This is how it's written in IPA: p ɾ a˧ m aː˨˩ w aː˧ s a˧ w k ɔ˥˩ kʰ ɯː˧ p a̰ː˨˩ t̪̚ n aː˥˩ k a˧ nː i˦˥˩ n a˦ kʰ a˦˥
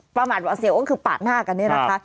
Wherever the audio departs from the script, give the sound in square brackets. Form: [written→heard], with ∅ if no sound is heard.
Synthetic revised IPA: p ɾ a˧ m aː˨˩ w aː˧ s [a˧→i˧] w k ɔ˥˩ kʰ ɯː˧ p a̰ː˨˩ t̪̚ n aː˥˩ k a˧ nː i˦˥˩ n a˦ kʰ a˦˥